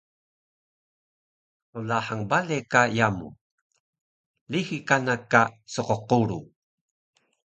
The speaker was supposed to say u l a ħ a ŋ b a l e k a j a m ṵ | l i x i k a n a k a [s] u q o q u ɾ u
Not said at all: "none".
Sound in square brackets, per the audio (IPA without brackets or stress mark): s